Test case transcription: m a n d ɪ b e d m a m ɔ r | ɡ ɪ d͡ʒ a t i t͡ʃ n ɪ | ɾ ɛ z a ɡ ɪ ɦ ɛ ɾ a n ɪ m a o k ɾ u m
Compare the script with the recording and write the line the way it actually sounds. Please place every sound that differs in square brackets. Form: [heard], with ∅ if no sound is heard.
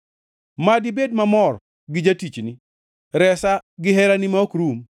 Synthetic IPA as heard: m a [∅] d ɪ b e d m a m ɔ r | ɡ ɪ d͡ʒ a t i t͡ʃ n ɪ | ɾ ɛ [s] a ɡ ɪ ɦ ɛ ɾ a n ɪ m a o k ɾ u m